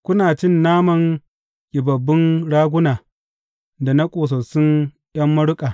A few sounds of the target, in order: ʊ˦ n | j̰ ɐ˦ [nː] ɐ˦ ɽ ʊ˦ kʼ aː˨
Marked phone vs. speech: incorrect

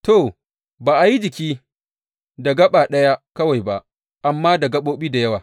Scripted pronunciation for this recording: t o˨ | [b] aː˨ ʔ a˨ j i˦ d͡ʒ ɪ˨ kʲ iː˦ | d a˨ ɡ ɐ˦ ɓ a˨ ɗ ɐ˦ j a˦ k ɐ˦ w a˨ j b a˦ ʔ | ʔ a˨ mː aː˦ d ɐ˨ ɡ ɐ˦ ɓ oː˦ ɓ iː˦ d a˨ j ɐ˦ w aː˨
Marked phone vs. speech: correct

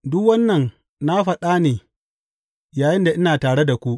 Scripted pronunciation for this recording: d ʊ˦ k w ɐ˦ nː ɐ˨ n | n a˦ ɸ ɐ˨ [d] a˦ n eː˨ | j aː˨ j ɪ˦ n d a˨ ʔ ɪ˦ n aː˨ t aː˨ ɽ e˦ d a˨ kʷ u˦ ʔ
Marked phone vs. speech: incorrect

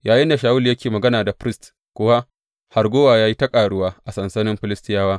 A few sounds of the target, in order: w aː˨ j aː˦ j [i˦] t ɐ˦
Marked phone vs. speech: correct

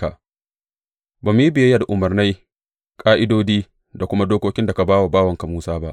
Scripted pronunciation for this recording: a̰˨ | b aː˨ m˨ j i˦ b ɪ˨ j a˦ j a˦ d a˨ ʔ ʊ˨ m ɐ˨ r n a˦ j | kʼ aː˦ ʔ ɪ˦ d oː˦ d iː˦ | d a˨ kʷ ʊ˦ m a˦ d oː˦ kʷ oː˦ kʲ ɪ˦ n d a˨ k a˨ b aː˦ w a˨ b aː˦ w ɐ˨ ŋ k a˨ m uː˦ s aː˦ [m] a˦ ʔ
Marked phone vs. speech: incorrect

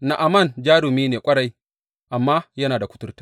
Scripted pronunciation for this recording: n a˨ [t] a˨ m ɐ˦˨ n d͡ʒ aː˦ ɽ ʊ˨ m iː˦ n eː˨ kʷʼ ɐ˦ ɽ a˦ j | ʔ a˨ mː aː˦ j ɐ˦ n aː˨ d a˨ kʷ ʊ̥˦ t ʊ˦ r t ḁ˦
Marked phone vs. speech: incorrect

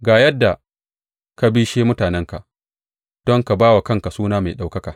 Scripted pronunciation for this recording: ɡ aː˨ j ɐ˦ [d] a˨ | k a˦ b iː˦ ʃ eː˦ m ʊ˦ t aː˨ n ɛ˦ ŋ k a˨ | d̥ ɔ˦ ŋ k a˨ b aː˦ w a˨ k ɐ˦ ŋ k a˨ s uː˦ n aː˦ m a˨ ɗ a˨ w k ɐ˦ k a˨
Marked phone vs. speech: incorrect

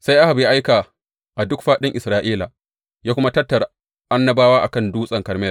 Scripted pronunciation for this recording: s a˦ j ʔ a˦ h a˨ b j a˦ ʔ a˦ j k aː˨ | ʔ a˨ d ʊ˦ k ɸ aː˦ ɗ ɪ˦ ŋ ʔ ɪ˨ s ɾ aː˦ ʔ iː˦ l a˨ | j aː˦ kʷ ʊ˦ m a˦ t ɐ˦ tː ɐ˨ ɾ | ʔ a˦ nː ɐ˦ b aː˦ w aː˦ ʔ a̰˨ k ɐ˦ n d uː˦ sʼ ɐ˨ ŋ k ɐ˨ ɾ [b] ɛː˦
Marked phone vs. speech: incorrect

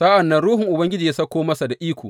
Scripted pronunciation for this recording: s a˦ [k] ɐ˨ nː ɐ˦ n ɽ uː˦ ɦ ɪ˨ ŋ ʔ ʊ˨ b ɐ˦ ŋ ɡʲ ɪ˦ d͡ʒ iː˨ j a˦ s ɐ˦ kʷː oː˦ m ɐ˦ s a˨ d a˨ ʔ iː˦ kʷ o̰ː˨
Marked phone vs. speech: incorrect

